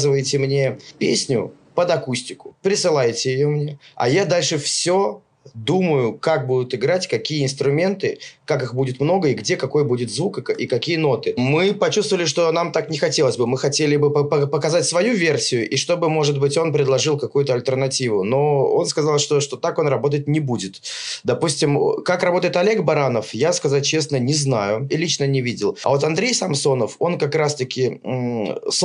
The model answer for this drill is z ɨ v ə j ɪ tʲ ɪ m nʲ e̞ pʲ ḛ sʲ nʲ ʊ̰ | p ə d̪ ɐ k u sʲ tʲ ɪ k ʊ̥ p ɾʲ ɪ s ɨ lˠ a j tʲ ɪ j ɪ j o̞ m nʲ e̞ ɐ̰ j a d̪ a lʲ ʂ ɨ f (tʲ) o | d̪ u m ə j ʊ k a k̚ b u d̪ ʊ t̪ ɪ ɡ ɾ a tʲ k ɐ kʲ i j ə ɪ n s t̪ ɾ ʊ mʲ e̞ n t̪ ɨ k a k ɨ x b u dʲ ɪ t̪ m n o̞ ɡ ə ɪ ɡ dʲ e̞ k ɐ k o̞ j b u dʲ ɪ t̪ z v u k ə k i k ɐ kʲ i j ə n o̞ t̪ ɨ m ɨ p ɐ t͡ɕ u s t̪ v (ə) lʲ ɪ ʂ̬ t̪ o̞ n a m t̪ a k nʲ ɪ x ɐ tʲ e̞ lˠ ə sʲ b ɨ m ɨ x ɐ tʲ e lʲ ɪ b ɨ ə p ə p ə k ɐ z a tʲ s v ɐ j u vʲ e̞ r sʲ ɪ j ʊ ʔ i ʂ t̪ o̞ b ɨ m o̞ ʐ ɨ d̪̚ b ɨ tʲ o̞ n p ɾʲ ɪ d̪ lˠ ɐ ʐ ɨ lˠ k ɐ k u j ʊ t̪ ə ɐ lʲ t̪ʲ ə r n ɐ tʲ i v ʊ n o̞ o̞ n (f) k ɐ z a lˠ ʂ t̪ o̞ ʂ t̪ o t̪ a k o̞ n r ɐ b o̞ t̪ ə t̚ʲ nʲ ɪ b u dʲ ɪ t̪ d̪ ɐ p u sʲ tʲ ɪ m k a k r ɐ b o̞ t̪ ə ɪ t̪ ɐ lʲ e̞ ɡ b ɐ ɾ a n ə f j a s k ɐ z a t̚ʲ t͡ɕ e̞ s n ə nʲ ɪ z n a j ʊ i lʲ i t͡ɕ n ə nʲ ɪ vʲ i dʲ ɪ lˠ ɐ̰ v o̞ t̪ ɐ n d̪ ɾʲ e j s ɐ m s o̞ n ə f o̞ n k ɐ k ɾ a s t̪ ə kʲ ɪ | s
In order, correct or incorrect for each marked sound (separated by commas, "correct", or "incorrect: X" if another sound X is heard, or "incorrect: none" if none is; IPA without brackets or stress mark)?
incorrect: sʲ, correct, incorrect: s